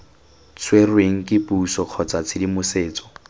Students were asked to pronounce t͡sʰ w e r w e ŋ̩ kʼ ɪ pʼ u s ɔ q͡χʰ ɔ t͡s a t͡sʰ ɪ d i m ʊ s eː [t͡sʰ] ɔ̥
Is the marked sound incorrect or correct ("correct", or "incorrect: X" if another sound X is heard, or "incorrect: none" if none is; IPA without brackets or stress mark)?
incorrect: t͡s